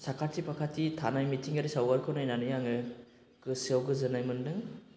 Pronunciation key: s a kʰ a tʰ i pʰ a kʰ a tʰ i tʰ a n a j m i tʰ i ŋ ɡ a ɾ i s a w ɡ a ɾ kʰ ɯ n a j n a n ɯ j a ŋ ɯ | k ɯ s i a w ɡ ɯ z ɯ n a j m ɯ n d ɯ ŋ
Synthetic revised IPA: s a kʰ a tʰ i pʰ a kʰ a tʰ i tʰ a n a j m i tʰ i ŋ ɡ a ɾ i s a w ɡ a ɾ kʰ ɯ n a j n a n ɯ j a ŋ ɯ | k ɯ s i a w ɡ ɯ z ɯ n a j m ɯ n d ɯ ŋ